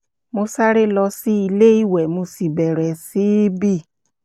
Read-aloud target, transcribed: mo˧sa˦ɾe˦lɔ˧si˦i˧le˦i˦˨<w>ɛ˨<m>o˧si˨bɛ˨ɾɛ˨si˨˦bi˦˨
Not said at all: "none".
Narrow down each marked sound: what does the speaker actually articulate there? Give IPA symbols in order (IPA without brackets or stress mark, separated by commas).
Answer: w, m